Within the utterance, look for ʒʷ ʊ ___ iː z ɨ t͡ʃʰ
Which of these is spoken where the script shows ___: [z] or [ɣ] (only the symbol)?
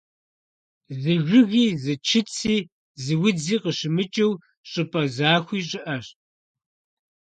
ɣ